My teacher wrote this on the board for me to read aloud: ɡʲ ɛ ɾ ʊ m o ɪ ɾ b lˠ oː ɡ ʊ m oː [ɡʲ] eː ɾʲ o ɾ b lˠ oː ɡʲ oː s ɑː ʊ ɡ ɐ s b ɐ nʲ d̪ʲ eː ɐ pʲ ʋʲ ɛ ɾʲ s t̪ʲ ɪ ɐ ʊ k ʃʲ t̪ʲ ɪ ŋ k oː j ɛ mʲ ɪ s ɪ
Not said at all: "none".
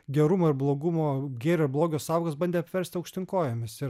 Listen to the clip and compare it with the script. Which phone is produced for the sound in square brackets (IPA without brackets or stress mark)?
ɡʲ